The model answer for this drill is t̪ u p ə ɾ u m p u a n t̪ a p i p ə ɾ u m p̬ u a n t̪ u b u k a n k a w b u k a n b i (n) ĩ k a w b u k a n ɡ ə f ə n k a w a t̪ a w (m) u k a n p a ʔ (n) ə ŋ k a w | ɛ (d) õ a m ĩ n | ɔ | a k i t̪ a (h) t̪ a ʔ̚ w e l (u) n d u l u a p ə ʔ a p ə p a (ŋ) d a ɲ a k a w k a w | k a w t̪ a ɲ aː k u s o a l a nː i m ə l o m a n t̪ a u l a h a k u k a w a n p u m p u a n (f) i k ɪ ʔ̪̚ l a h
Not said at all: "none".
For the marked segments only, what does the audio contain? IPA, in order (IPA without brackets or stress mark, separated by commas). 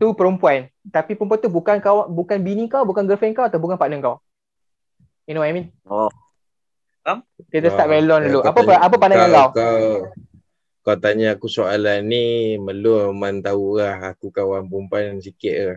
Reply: n, b, n, n, s, ɔ, n, s